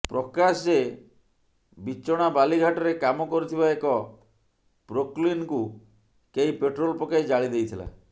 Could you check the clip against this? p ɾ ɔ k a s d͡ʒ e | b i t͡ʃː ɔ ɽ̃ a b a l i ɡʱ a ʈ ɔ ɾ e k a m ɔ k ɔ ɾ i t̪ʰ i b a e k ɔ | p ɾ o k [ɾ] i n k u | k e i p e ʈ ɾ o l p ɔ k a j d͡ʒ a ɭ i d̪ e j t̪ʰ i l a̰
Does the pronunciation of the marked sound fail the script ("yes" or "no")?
yes